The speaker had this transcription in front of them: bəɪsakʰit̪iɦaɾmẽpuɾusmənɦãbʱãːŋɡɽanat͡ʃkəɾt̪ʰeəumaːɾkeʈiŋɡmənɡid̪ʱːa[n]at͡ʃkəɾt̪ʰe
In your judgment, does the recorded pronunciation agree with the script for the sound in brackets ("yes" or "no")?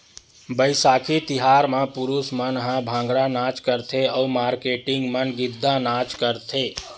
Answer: yes